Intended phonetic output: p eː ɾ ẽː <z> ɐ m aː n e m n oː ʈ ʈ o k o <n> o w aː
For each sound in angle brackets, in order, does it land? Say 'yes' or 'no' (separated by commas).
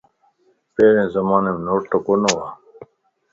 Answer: yes, yes